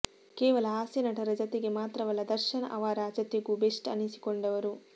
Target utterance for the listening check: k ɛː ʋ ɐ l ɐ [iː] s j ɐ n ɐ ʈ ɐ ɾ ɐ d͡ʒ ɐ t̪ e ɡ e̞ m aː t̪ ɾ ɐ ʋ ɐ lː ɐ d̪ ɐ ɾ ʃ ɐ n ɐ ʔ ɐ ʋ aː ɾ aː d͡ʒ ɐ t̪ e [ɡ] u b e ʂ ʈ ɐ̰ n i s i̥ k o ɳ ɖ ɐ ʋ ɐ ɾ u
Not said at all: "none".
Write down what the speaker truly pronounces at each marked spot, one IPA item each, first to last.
aː, ɡ

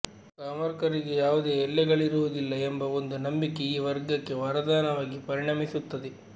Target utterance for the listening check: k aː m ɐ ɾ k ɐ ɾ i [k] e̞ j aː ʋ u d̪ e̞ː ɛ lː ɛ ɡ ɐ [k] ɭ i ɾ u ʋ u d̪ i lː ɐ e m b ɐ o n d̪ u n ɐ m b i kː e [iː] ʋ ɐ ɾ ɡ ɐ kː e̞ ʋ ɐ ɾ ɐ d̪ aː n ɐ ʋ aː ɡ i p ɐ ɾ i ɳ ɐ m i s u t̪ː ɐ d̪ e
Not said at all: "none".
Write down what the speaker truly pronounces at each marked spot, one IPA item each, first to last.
ɡ, none, iː

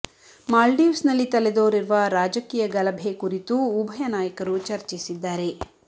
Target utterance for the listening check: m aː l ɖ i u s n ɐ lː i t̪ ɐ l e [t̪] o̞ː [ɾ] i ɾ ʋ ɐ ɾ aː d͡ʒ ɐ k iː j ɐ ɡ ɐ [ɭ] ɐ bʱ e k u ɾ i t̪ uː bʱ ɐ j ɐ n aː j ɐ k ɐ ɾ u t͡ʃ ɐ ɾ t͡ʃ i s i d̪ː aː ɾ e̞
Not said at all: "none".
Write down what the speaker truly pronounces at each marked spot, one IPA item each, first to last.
d̪, ɾ, l

